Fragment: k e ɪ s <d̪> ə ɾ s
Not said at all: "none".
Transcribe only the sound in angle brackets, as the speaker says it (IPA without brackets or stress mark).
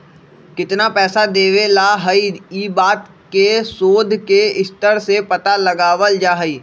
t̪